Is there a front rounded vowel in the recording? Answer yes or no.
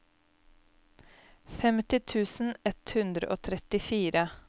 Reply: no